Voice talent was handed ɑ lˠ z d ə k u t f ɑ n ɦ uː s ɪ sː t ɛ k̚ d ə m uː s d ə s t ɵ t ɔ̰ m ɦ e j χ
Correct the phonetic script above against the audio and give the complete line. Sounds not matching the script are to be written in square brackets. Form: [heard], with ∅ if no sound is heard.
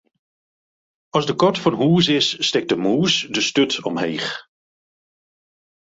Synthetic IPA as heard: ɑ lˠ z d ə k [ɔ] t f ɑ n ɦ uː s ɪ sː t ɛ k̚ d ə m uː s d ə s t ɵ t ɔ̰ m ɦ e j χ